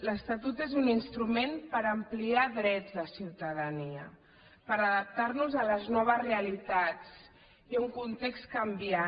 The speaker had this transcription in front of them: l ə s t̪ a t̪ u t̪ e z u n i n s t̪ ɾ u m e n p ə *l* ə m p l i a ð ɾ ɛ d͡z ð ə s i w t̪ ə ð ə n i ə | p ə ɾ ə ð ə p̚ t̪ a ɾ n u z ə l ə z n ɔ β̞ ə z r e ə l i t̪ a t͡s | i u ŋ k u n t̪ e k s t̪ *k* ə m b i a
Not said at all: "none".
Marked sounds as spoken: ɾ, k

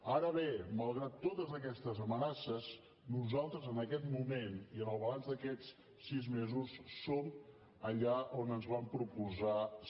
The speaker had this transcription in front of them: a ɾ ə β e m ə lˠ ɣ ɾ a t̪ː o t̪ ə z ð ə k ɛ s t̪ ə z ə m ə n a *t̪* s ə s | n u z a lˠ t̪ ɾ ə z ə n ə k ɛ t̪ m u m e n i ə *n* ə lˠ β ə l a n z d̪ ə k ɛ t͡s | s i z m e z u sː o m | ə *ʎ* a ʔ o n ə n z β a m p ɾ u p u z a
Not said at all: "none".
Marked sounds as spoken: none, n, ʎ

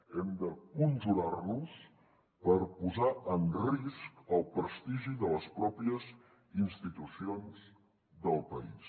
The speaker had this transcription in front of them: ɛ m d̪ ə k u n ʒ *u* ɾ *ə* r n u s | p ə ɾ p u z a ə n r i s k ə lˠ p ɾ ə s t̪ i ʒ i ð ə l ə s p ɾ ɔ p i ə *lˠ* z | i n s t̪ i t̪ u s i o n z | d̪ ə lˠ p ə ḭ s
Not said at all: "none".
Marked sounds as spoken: u, a, none

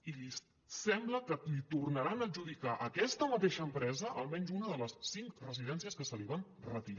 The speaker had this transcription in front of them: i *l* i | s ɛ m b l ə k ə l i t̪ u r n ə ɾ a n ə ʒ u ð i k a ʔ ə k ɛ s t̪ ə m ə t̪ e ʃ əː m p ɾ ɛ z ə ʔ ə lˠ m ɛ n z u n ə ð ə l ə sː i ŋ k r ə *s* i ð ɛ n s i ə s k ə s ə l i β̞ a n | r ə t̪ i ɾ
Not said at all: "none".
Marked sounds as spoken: l, z

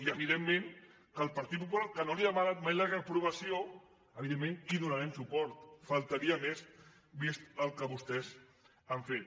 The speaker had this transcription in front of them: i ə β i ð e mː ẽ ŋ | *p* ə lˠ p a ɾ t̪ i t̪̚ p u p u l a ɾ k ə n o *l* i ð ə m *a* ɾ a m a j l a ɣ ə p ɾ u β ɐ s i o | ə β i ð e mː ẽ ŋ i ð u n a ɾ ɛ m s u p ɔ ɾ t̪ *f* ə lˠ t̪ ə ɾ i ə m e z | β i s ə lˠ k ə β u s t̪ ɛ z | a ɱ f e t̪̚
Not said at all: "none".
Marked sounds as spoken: k, l, a, f

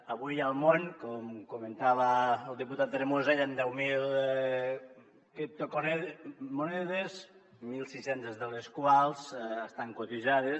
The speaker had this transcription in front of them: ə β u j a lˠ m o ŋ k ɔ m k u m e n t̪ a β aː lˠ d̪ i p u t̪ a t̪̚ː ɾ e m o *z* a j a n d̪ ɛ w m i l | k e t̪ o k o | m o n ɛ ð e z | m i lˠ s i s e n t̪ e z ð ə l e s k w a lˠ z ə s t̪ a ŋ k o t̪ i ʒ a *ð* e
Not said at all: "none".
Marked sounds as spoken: z, ð

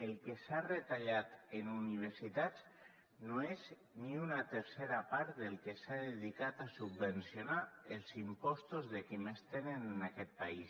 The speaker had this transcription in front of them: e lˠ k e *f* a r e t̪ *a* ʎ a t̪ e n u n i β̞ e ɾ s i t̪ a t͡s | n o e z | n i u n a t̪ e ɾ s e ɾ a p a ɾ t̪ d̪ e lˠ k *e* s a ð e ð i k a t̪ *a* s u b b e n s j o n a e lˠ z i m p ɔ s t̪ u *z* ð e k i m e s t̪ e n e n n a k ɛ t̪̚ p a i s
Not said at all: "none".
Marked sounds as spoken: s, a, e, a, z

